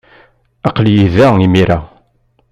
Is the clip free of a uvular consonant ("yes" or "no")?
no